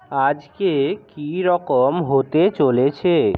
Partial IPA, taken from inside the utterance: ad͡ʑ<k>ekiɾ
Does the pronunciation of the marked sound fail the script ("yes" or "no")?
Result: no